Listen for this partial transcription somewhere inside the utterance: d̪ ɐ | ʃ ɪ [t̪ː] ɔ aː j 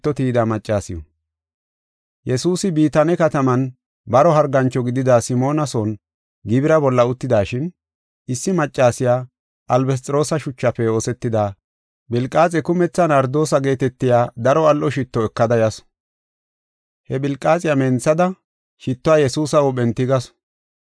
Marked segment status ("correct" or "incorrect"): correct